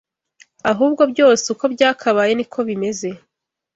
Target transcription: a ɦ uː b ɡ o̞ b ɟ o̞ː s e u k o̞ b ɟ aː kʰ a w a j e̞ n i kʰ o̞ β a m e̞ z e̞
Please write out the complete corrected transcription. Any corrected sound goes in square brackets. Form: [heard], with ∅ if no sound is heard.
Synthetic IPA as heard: a ɦ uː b ɡ o̞ b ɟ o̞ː s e u k o̞ b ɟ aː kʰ a [β] a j e̞ n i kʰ o̞ β [i] m e̞ z e̞

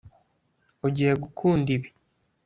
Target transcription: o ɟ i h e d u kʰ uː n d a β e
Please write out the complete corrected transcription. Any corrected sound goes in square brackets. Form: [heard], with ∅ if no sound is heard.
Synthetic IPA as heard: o ɟ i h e [ɡ] u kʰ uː n d [i] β [i]

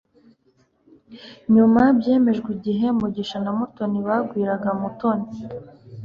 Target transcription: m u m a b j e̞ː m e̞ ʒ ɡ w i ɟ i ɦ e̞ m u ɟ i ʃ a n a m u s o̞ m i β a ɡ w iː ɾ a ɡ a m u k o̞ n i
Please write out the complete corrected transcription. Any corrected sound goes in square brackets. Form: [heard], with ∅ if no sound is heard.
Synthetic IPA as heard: [ɲ] u m a b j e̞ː m e̞ ʒ ɡ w i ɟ i ɦ e̞ m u ɟ i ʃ a n a m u [t] o̞ [n] i β a ɡ w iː ɾ a ɡ a m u [t] o̞ n i

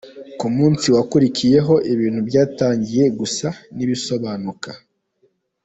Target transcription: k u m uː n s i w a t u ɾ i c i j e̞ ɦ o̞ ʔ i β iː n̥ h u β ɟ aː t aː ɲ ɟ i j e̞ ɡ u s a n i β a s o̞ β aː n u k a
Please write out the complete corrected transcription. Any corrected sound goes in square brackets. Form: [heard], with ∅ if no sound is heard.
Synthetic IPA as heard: k u m uː n s i w a [k] u ɾ i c i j e̞ ɦ o̞ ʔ i β iː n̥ h u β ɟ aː t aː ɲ ɟ i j e̞ ɡ u s a n i β [i] s o̞ β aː n u k a

